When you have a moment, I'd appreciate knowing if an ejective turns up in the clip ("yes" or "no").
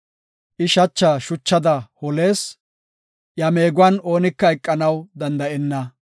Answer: yes